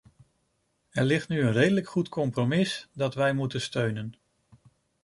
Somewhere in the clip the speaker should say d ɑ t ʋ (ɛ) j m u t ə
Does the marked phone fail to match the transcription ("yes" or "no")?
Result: no